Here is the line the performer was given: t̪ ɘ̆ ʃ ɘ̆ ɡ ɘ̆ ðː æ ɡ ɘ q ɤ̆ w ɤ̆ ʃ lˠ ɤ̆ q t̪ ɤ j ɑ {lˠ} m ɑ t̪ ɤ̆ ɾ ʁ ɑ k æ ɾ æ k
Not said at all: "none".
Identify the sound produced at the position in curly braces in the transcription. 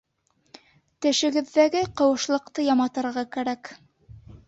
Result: none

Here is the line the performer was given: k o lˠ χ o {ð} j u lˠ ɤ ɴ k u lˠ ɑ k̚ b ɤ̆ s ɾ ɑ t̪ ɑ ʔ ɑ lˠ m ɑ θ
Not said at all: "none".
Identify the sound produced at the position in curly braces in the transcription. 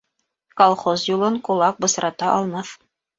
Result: z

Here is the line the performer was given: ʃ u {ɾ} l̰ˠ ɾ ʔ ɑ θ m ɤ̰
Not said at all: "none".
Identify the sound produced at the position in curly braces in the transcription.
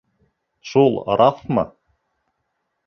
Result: none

